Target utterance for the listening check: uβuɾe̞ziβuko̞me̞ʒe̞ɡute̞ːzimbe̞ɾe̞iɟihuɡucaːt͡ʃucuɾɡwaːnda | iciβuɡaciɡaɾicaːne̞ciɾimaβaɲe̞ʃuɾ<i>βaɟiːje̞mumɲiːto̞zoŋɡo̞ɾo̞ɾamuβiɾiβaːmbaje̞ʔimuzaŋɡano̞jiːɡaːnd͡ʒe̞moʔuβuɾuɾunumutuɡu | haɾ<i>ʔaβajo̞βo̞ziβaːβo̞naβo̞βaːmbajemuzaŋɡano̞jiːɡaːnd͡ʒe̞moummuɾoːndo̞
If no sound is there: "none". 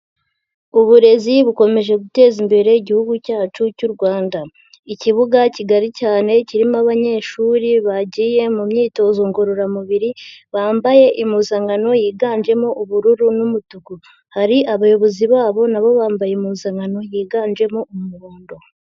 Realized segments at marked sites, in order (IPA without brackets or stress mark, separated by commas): i, i